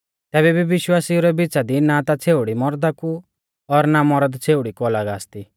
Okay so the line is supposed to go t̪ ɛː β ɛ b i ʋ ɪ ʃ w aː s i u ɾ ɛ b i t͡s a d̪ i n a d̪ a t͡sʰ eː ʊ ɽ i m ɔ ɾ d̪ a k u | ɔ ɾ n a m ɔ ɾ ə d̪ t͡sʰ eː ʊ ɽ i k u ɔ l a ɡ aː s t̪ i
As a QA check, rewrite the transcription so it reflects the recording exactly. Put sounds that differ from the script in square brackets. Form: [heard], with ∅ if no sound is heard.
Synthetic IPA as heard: t̪ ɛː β ɛ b i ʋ ɪ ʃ w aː s i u ɾ ɛ b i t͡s a d̪ i n a [t̪] a t͡sʰ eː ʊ ɽ i m ɔ ɾ d̪ a k u | ɔ ɾ n a m ɔ ɾ ə d̪ t͡sʰ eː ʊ ɽ i k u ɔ l a ɡ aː s t̪ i